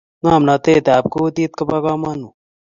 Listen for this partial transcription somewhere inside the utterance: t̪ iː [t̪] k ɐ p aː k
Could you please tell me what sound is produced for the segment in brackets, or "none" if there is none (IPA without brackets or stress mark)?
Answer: t̪